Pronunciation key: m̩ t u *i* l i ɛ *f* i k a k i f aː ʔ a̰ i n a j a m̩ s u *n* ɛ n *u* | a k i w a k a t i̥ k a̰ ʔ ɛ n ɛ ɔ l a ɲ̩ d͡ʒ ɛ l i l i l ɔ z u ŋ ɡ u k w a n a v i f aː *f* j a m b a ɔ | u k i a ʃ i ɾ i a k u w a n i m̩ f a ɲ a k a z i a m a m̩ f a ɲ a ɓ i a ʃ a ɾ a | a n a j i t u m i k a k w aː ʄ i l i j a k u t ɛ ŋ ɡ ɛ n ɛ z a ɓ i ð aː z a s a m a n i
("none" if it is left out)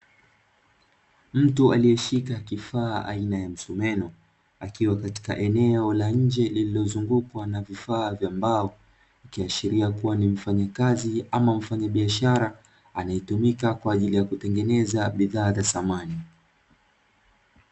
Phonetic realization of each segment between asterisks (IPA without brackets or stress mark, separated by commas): a, ʃ, m, ɔ, v